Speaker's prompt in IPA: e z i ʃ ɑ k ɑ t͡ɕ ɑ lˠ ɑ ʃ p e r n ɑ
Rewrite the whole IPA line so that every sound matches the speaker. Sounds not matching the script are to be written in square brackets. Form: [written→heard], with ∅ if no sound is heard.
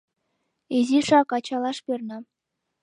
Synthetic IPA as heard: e z i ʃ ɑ k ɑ t͡ɕ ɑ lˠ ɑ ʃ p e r n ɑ